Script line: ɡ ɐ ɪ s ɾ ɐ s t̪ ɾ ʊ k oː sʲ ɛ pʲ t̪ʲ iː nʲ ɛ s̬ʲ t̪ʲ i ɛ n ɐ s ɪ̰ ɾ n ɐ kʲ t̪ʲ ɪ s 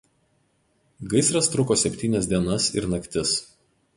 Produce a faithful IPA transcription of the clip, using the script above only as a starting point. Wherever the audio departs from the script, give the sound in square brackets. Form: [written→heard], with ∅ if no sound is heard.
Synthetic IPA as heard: ɡ ɐ ɪ s ɾ ɐ s t̪ ɾ ʊ k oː sʲ ɛ pʲ t̪ʲ iː nʲ ɛ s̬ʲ [t̪ʲ→d̪ʲ] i ɛ n ɐ s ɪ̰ ɾ n ɐ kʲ t̪ʲ ɪ s